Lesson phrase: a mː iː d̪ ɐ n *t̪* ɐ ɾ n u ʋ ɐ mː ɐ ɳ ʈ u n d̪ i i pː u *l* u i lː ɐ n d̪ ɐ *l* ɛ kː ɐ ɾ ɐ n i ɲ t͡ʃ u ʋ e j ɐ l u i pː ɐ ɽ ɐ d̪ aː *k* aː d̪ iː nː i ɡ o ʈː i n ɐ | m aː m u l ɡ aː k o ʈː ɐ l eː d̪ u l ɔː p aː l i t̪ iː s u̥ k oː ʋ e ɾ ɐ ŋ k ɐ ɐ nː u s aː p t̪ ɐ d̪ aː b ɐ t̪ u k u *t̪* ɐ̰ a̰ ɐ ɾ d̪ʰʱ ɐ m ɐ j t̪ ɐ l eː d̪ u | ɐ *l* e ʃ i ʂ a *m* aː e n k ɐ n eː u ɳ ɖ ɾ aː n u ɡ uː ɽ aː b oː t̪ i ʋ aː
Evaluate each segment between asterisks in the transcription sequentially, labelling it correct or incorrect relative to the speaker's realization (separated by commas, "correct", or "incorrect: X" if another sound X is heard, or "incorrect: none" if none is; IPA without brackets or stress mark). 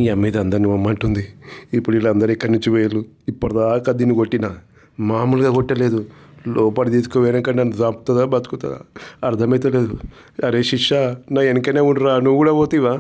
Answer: incorrect: d̪, incorrect: ɽ, incorrect: ɾ, correct, correct, incorrect: ɾ, incorrect: n